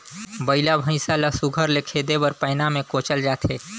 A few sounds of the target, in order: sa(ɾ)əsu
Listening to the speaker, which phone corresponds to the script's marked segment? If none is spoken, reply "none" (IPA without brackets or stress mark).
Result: l